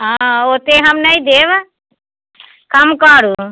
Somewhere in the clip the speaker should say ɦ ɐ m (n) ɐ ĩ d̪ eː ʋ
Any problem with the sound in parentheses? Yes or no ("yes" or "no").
no